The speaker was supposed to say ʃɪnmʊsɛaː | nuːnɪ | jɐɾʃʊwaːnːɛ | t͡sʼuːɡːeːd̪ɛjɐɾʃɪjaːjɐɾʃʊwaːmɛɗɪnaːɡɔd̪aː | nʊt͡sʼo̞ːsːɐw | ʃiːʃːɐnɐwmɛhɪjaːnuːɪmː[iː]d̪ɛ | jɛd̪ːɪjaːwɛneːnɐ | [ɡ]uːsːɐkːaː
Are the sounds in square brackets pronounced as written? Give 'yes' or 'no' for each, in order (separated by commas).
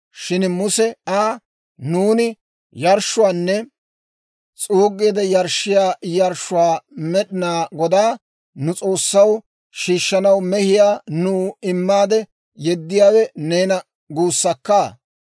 no, yes